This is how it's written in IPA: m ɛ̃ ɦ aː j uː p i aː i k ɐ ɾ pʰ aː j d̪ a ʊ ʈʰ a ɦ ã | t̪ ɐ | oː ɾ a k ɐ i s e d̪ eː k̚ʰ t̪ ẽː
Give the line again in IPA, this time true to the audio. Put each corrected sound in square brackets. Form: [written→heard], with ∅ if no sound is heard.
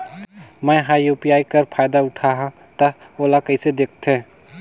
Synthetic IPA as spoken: m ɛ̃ ɦ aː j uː p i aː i k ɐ ɾ pʰ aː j d̪ a ʊ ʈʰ a ɦ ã | t̪ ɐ | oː [ɾ→l] a k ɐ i s e d̪ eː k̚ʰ t̪ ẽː